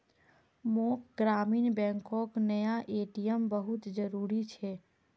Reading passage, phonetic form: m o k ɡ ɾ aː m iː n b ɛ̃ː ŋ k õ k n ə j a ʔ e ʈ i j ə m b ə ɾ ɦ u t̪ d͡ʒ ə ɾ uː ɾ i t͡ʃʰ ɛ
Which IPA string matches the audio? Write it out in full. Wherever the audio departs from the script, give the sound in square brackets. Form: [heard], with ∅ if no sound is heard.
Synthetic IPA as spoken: m o k ɡ ɾ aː m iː n b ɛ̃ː ŋ k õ k n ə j a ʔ e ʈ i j ə m b ə [∅] ɦ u t̪ d͡ʒ ə ɾ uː ɾ i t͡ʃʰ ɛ